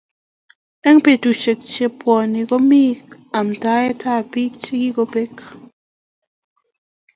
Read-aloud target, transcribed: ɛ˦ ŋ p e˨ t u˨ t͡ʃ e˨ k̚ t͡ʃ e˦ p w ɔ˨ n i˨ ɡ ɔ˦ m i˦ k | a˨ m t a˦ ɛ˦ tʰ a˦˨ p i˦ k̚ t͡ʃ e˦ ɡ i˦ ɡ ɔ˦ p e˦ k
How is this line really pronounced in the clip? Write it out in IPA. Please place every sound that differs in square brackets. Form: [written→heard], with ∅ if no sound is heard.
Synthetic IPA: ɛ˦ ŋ p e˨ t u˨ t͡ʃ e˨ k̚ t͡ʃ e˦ p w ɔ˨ n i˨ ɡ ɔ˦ m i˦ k | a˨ m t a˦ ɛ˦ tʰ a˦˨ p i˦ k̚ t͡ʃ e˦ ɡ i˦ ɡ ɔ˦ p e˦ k